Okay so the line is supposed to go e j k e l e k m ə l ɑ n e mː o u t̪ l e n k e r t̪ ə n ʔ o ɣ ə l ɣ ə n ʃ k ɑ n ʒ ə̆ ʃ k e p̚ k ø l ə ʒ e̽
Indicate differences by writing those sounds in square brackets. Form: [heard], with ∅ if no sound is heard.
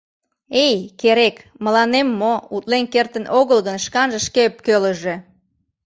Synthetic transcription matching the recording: e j k e [ɾ] e k m ə l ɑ n e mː o u t̪ l e n k e r t̪ ə n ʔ o ɣ ə l ɣ ə n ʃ k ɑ n ʒ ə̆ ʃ k e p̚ k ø l ə ʒ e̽

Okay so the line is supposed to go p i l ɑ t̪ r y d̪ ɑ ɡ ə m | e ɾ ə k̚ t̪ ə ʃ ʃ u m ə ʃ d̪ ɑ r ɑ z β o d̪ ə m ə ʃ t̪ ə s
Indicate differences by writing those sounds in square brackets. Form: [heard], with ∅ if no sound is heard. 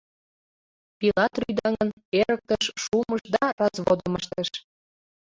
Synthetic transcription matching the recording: p i l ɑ t̪ r y d̪ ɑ [ŋ] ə [n] | e ɾ ə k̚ t̪ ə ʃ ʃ u m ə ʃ d̪ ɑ r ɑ z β o d̪ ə m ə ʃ t̪ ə [ʃ]

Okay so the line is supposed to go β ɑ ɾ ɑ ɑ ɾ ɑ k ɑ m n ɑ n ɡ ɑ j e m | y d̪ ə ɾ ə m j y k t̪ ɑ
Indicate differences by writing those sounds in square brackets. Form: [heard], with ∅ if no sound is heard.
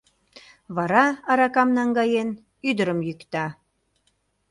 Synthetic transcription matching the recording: β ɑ ɾ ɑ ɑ ɾ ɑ k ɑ m n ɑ [ŋ] ɡ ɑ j e [n] | y d̪ ə ɾ ə m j y k t̪ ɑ

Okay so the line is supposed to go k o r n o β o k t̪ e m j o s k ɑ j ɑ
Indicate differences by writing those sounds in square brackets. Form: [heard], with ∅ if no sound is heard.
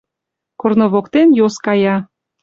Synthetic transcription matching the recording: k o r n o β o k t̪ e [n] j o s k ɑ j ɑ

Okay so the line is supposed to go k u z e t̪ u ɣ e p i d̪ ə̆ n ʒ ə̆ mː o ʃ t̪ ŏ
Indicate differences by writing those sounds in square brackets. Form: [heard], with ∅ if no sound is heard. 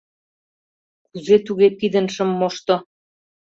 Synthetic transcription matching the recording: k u z e t̪ u ɣ e p i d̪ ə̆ n [ʃ] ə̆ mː o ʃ t̪ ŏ

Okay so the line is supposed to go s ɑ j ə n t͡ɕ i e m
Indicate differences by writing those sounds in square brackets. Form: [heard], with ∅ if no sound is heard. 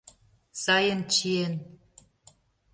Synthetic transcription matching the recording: s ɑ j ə n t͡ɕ i e [n]

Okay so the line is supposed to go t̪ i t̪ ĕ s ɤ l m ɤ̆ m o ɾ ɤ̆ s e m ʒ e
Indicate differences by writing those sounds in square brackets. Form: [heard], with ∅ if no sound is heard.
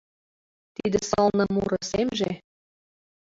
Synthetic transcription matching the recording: t̪ i [d̪] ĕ s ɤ l [n] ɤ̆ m [u] ɾ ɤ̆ s e m ʒ e

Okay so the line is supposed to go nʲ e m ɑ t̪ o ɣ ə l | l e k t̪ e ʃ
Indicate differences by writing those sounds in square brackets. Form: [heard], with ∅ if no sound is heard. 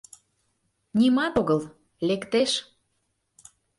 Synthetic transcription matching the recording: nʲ [i] m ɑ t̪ o ɣ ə l | l e k t̪ e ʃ

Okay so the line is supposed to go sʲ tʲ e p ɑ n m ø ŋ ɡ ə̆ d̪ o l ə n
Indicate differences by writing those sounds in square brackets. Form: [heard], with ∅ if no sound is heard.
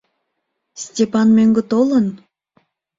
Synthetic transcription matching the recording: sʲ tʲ e p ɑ n m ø ŋ ɡ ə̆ [t̪] o l ə n

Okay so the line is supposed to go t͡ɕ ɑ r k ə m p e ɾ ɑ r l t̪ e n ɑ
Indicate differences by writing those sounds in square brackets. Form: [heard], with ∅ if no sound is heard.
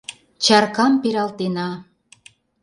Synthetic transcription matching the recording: t͡ɕ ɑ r k [ɑ] m p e ɾ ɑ [∅] l t̪ e n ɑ

